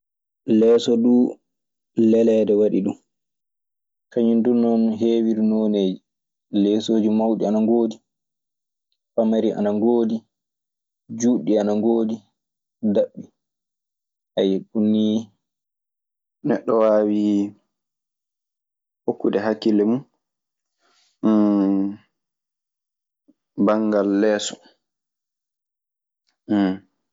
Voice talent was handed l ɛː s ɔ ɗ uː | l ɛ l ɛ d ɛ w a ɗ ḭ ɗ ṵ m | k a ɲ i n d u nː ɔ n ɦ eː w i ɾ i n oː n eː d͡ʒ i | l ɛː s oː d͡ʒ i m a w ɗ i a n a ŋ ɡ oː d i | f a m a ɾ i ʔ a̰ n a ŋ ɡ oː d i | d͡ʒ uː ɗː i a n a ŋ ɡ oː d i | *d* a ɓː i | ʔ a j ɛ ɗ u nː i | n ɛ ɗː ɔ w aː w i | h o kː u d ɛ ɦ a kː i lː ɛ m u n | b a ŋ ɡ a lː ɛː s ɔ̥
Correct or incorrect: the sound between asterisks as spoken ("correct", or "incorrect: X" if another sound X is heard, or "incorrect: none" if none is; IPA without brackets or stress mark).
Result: correct